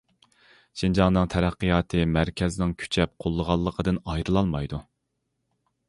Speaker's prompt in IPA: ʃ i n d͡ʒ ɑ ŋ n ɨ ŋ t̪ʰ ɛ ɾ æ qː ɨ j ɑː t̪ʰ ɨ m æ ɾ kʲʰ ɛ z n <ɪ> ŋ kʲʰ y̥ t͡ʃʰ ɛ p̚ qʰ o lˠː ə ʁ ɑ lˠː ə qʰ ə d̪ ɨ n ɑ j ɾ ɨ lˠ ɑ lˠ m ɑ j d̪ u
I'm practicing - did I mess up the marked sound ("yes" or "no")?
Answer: no